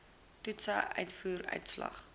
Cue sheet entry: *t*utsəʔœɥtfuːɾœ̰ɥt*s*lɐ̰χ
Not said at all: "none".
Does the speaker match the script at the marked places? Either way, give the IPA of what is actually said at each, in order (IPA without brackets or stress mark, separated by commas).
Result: t, s